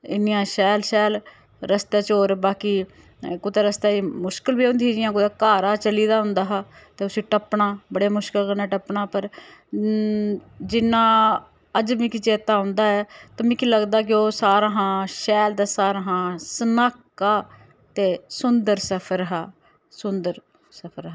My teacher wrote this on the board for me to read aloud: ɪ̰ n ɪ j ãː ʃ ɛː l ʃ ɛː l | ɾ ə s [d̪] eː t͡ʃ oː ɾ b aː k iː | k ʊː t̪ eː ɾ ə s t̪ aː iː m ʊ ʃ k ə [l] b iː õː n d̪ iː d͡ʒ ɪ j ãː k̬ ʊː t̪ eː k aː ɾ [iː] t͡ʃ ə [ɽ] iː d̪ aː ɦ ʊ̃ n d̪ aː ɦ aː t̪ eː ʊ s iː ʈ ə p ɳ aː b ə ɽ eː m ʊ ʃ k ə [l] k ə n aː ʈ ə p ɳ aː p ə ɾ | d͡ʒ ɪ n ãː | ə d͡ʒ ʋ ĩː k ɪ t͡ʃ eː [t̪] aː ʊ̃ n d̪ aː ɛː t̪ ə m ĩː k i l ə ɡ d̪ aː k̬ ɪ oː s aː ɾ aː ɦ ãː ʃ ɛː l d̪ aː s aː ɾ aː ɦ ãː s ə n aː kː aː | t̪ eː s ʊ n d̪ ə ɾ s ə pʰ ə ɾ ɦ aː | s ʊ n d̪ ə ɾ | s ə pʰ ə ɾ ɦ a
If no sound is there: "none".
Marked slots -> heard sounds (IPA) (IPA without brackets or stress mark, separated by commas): t̪, l, aː, l, l, t̪